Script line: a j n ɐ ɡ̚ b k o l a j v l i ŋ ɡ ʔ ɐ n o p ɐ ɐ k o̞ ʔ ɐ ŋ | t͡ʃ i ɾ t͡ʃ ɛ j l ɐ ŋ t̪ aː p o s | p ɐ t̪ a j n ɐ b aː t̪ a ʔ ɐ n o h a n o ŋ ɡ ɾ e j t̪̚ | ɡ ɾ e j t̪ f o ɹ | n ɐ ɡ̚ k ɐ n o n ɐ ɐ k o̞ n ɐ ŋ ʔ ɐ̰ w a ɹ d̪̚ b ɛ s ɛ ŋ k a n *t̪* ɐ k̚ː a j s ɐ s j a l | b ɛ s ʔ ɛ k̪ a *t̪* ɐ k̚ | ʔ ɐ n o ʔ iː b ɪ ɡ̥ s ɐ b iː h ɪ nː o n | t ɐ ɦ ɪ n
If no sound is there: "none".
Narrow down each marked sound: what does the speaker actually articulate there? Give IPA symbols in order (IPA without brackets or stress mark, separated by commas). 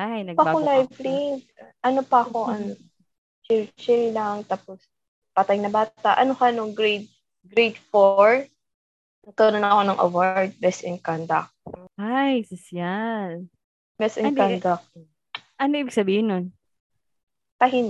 d̪, d̪